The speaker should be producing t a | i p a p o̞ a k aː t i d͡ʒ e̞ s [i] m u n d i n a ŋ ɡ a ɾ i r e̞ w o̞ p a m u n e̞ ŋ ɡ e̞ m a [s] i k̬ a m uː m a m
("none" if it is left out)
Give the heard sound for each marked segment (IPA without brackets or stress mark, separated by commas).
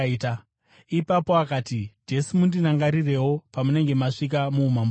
i, ʂ